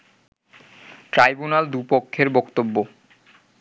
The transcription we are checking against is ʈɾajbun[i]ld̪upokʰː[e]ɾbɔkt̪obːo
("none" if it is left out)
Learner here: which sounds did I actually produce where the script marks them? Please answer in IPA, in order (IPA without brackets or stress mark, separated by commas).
a, e